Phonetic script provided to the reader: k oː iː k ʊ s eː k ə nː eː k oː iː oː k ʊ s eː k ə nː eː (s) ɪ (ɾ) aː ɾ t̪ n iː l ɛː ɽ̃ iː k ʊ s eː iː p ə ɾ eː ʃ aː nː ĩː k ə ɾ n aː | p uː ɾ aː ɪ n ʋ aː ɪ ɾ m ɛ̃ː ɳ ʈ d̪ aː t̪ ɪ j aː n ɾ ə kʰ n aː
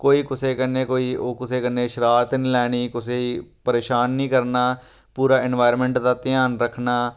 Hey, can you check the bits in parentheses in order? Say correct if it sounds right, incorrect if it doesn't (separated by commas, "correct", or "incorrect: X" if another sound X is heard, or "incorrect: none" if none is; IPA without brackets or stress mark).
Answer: incorrect: ʃ, correct